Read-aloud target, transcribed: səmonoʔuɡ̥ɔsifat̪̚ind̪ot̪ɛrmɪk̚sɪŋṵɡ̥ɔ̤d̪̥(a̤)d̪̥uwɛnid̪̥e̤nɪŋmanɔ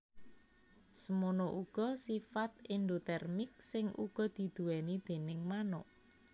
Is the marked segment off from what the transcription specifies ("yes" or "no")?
yes